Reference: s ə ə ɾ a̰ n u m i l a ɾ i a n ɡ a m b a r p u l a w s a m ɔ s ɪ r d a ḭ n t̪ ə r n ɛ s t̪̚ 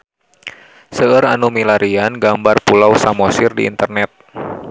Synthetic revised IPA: s ə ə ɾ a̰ n u m i l a ɾ i a n ɡ a m b a r p u l a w s a m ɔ s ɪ r d i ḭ n t̪ ə r n ɛ t̪̚